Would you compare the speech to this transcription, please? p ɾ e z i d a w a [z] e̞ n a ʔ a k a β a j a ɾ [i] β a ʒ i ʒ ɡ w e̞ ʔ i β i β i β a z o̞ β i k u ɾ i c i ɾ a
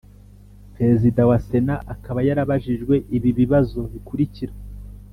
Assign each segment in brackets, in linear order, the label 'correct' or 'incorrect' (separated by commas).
incorrect, incorrect